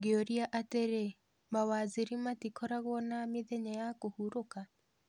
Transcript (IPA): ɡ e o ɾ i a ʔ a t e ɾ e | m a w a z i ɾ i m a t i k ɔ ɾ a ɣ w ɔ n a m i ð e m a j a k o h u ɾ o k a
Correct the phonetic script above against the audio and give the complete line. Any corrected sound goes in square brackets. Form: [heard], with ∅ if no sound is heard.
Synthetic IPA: ɡ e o ɾ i a ʔ a t e ɾ e | m a w a z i ɾ i m a t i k ɔ ɾ a ɣ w ɔ n a m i ð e [ɲ] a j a k o h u ɾ o k a